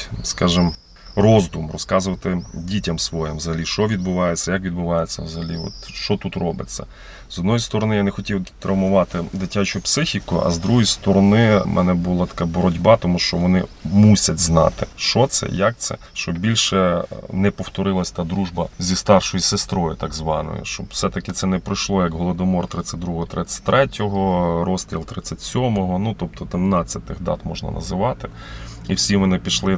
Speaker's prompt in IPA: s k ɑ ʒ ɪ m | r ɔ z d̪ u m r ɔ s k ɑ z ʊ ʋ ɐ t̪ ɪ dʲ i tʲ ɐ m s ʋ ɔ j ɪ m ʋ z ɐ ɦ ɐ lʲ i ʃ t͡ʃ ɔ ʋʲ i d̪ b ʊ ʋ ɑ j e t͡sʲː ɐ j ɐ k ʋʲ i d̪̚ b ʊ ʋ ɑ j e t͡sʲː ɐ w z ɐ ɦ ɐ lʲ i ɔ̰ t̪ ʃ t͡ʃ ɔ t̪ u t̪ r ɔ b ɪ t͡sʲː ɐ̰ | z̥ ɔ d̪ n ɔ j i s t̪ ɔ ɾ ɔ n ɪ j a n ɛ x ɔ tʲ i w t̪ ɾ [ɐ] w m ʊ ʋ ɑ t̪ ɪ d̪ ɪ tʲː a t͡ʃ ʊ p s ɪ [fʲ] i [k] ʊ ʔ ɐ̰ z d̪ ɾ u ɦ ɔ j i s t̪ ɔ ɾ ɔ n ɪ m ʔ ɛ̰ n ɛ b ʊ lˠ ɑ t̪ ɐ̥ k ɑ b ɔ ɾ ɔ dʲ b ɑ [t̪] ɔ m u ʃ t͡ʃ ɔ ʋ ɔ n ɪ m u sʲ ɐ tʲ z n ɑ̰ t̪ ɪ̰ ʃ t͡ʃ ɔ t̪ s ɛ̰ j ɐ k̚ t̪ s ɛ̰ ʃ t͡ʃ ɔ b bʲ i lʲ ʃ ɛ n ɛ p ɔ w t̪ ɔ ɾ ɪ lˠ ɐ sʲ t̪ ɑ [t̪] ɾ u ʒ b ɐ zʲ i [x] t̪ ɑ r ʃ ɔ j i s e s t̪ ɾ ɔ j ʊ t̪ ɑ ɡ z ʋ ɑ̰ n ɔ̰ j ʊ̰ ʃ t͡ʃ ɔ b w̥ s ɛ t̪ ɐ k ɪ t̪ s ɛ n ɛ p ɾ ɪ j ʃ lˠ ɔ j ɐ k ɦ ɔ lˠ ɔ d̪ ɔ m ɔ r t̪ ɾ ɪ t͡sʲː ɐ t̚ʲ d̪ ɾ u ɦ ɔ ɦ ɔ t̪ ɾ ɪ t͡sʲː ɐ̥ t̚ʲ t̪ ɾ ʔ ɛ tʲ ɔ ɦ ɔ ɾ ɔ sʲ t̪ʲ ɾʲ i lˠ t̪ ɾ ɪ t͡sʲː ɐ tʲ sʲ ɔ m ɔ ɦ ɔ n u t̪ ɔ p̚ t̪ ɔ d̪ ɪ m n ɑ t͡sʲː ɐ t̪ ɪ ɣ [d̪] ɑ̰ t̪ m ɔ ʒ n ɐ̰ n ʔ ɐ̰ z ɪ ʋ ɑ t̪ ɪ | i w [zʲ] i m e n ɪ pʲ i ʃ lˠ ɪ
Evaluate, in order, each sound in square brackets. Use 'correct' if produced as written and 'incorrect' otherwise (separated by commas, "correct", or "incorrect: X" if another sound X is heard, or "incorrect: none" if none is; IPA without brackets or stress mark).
correct, incorrect: xʲ, correct, correct, incorrect: d̪, incorrect: s, correct, incorrect: sʲ